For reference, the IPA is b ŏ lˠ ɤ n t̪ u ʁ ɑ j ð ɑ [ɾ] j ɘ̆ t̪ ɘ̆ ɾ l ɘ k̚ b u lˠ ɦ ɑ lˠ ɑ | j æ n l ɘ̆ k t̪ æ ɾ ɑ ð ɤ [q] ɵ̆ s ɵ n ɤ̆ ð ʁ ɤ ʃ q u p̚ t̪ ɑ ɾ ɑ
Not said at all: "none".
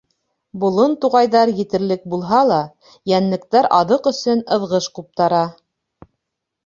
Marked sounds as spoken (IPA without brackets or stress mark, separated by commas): ɾ, q